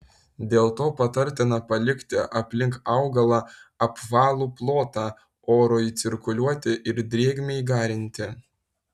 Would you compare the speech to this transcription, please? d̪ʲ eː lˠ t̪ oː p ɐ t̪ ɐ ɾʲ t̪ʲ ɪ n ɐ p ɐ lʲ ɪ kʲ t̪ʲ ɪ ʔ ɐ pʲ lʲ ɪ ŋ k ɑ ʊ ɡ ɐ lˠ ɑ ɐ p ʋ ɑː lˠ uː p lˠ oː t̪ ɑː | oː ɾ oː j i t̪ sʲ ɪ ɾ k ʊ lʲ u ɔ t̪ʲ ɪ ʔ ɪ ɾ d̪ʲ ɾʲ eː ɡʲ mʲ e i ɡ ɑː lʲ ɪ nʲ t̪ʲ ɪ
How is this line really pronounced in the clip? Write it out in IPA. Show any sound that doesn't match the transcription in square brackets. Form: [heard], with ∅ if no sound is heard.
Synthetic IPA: d̪ʲ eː lˠ t̪ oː p ɐ t̪ ɐ ɾʲ t̪ʲ ɪ n ɐ p ɐ lʲ ɪ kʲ t̪ʲ ɪ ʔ ɐ pʲ lʲ ɪ ŋ k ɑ ʊ ɡ ɐ lˠ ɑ ɐ p ʋ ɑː lˠ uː p lˠ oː t̪ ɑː | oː ɾ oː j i t̪ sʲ ɪ ɾ k ʊ lʲ u ɔ t̪ʲ ɪ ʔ ɪ ɾ d̪ʲ ɾʲ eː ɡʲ mʲ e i ɡ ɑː [ɾʲ] ɪ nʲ t̪ʲ ɪ